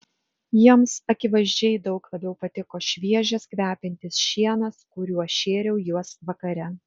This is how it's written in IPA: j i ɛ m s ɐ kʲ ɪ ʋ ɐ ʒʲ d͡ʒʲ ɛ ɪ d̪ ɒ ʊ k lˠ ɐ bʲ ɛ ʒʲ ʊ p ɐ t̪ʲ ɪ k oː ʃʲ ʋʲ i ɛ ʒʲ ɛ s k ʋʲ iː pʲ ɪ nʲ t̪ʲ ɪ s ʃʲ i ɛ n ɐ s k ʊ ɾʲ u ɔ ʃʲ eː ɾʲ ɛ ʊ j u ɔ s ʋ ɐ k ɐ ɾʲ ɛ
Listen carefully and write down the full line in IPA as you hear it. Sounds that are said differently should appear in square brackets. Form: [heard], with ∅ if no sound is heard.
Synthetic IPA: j i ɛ m s ɐ kʲ ɪ ʋ ɐ ʒʲ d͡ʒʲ ɛ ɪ d̪ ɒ ʊ k lˠ ɐ bʲ ɛ [∅] ʊ p ɐ t̪ʲ ɪ k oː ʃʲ ʋʲ i ɛ ʒʲ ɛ s k ʋʲ [æː] pʲ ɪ nʲ t̪ʲ ɪ s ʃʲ i ɛ n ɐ s k ʊ ɾʲ u ɔ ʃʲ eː ɾʲ ɛ ʊ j u ɔ s ʋ ɐ k ɐ ɾʲ ɛ